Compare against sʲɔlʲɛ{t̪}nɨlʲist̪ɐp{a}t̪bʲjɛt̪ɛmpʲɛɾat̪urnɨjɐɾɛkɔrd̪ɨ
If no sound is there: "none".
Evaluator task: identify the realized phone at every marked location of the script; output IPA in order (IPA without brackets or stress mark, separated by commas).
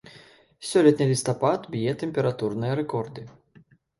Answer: t̪, a